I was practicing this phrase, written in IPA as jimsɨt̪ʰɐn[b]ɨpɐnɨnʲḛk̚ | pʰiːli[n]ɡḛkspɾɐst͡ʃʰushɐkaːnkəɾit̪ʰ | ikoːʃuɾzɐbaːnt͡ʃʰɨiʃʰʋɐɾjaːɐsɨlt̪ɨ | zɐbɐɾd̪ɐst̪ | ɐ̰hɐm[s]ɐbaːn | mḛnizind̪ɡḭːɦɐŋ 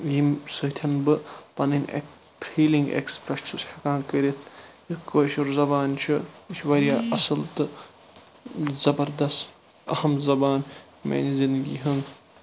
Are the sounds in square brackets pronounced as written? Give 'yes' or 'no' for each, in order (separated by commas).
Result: yes, no, no